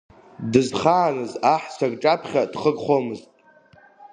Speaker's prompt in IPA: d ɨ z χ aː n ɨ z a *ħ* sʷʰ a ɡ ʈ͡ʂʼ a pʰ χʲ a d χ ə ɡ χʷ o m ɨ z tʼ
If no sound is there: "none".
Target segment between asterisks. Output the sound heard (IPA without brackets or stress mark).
ħ